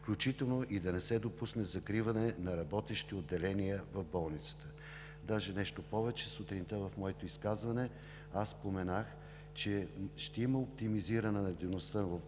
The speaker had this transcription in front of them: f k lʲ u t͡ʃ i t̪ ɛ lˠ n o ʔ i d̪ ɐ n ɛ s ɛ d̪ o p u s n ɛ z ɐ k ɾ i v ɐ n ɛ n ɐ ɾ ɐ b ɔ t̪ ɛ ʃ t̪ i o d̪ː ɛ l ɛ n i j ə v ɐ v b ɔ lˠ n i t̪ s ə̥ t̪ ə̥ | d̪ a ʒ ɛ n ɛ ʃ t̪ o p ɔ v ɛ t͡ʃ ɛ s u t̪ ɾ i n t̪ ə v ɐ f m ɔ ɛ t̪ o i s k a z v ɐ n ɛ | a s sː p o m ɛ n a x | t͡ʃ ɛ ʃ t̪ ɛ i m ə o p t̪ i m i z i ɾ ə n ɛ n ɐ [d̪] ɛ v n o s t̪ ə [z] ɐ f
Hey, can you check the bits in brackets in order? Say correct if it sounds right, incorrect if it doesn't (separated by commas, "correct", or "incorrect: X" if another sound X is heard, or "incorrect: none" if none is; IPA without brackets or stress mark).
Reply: correct, incorrect: v